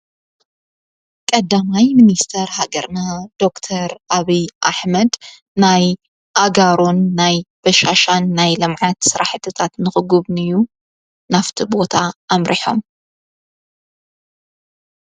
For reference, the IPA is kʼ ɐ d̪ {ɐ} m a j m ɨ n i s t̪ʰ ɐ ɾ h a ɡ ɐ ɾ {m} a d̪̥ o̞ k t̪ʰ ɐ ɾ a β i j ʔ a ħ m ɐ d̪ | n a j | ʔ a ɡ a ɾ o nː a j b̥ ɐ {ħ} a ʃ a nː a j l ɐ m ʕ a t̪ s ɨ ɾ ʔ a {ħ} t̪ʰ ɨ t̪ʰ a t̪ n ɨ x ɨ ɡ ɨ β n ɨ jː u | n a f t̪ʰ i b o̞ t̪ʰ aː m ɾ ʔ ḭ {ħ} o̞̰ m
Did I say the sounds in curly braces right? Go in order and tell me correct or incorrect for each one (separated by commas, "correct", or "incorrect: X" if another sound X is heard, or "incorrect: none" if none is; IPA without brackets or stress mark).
incorrect: a, incorrect: n, incorrect: ʃ, correct, correct